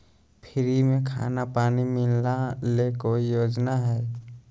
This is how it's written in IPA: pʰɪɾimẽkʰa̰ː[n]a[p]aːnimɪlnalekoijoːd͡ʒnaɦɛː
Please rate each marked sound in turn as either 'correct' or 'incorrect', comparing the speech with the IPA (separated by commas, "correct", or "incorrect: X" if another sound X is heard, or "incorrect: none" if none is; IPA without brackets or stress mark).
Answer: correct, correct